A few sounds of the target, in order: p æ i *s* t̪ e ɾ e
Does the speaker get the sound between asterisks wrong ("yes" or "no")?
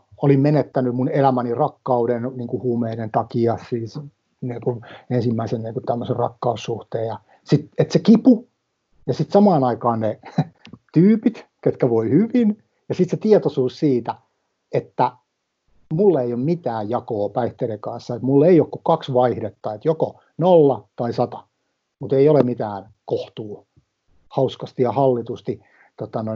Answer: yes